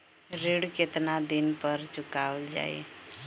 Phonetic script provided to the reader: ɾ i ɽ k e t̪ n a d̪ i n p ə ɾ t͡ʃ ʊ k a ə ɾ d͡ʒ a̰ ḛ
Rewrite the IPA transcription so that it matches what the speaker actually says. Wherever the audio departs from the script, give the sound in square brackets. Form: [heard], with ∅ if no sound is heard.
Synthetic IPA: ɾ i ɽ k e t̪ n a d̪ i n p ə ɾ t͡ʃ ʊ k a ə [l] d͡ʒ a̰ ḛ